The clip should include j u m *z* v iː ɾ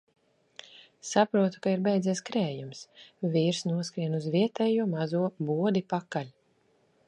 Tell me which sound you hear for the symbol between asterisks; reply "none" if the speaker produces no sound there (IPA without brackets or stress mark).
s